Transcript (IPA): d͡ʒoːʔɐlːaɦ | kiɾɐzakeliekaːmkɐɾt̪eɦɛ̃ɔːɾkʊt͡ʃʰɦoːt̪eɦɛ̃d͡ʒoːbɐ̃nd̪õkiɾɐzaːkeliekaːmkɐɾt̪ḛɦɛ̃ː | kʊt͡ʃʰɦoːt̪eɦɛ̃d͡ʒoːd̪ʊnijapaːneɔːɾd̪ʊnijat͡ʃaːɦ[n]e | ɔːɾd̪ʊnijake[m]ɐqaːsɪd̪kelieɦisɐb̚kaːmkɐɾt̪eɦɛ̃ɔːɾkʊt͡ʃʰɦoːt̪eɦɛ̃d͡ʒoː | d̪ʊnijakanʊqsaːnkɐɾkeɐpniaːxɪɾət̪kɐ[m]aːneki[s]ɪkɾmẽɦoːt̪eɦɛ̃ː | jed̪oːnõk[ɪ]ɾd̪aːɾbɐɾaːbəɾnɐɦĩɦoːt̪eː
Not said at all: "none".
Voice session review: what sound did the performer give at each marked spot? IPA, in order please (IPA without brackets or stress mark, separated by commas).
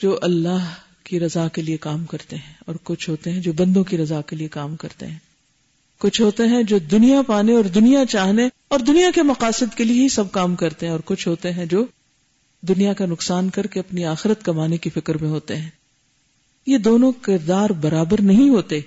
n, m, m, f, ɪ